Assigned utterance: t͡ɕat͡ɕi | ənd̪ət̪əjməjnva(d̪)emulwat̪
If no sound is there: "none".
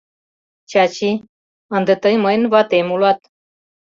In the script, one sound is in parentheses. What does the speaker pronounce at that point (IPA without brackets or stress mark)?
t̪